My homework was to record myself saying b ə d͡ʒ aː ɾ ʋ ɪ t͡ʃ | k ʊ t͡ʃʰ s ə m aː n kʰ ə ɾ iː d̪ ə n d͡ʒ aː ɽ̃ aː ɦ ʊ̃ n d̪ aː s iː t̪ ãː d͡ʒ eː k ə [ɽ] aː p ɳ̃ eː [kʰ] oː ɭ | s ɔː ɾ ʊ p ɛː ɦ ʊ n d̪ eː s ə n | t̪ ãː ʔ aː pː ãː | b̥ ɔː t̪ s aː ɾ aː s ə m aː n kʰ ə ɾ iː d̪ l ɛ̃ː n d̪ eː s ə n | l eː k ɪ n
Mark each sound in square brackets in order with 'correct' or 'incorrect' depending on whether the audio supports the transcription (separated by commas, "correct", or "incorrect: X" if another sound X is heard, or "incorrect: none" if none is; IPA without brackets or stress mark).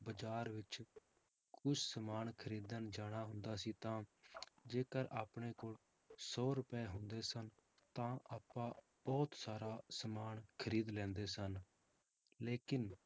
incorrect: ɾ, incorrect: k